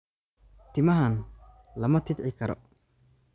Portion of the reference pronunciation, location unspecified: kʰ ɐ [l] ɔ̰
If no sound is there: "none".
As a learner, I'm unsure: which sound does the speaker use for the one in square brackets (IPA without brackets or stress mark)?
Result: ɾ